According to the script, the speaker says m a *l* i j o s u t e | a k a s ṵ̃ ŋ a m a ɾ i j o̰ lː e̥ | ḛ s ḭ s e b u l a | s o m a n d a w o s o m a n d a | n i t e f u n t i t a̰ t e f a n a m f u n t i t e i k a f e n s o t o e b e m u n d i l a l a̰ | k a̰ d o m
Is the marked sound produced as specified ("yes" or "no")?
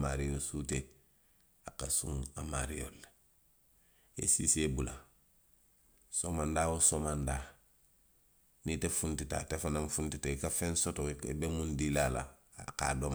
no